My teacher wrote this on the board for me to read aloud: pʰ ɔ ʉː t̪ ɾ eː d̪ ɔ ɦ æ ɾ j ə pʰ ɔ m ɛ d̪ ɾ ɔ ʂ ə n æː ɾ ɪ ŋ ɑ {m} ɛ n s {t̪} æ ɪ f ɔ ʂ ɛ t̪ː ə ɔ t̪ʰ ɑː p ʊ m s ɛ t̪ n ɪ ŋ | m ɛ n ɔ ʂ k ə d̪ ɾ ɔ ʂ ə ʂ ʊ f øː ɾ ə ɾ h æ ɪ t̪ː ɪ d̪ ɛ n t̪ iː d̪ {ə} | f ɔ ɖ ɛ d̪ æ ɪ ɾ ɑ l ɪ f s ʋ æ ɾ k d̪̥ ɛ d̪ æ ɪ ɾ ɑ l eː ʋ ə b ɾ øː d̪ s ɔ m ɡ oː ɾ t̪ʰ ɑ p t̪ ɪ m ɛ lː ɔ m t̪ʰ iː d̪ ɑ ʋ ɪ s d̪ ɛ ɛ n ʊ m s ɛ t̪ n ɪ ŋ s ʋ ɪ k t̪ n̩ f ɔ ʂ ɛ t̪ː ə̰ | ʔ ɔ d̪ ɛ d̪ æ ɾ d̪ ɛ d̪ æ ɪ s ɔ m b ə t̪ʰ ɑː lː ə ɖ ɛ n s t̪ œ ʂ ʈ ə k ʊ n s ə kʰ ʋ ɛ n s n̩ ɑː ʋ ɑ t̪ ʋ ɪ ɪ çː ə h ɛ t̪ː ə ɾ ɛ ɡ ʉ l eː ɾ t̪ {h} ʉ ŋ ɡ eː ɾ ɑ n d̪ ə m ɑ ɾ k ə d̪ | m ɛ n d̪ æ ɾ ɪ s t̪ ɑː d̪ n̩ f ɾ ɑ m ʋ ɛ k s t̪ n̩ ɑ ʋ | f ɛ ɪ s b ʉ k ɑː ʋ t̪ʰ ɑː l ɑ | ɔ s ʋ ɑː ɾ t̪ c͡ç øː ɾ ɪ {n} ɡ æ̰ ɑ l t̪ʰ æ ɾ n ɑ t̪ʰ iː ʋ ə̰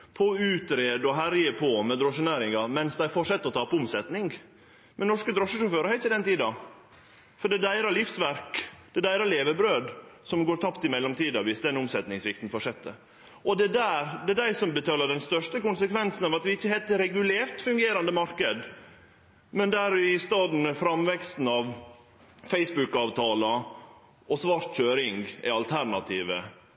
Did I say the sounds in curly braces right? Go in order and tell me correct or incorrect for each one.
correct, incorrect: d̪, incorrect: ɑ, incorrect: f, incorrect: ŋ

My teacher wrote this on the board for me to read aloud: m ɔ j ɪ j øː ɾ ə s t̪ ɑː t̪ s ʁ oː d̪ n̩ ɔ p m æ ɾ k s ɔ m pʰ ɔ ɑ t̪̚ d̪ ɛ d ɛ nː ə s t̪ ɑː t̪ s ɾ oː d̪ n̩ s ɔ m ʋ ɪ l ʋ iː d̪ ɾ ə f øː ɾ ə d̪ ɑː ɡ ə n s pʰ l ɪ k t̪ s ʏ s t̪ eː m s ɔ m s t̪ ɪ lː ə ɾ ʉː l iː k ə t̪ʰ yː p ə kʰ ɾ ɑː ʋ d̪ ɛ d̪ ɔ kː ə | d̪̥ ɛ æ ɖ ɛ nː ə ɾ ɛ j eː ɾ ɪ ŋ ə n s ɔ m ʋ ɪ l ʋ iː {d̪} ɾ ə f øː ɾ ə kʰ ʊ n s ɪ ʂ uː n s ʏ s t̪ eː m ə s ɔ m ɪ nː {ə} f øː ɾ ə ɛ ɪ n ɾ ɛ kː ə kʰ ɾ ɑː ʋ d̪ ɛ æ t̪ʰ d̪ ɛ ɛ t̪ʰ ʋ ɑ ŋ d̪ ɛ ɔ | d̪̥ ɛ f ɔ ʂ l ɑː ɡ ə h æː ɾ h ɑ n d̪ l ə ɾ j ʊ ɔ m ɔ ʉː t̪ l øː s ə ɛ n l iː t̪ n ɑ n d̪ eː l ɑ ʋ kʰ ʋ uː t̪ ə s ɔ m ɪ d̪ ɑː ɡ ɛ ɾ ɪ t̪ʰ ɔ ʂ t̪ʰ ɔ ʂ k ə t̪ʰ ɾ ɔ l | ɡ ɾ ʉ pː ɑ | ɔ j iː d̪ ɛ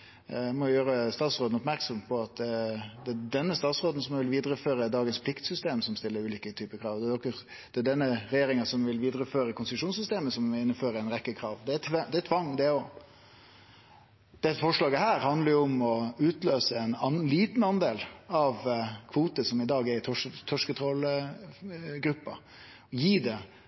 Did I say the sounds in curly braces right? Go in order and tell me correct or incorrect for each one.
correct, correct

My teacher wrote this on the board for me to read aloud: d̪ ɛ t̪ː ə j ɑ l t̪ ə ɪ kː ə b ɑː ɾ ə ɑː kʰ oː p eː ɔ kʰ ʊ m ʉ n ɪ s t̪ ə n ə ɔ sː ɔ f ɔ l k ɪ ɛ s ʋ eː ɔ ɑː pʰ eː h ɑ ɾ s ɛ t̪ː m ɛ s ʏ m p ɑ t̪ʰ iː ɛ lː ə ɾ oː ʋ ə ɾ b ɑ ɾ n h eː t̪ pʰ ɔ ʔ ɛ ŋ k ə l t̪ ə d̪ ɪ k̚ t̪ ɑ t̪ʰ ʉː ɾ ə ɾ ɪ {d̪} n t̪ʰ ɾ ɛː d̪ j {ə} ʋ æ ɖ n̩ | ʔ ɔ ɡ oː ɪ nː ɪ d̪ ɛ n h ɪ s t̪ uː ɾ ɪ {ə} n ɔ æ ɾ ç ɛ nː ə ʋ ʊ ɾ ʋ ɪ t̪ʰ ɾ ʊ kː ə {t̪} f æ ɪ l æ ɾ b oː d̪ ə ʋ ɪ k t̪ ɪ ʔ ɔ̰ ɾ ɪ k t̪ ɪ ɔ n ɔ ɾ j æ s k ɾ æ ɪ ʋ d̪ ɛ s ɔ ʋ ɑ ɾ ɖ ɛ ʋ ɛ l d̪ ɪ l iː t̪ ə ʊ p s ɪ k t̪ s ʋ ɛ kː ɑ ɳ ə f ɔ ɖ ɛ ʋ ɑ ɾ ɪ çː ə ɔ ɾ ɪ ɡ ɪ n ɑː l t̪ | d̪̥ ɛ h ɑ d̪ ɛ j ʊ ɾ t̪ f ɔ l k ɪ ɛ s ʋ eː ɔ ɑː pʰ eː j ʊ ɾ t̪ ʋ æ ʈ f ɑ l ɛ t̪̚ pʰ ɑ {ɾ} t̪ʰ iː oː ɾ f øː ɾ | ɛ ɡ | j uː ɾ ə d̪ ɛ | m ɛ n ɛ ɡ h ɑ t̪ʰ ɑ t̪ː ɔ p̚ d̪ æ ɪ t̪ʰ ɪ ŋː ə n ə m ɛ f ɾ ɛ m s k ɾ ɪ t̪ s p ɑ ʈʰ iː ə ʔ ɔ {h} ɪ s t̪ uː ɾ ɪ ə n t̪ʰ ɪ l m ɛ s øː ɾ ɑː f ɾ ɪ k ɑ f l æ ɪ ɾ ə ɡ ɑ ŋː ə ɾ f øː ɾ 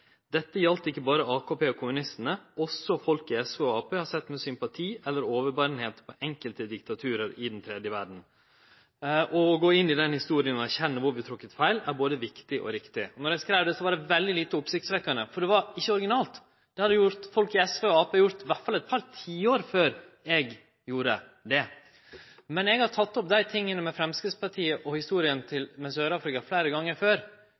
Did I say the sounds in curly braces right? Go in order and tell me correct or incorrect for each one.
correct, correct, correct, correct, correct, correct

